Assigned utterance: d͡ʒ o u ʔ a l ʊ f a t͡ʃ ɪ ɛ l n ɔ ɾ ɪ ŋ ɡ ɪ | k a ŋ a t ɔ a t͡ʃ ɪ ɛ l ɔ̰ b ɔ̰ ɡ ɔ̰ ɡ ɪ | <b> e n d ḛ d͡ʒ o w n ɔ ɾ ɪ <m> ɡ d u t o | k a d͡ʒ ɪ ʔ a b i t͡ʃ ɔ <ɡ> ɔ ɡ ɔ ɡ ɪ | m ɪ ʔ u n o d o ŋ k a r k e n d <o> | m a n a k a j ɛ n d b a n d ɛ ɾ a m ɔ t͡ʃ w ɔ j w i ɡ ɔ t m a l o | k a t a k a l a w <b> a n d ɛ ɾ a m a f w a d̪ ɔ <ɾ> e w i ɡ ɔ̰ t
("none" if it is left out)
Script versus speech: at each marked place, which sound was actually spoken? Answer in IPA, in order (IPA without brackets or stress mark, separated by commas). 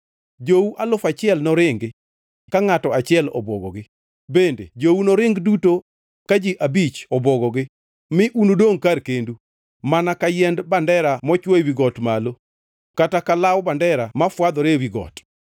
b, ŋ, b, u, b, ɾ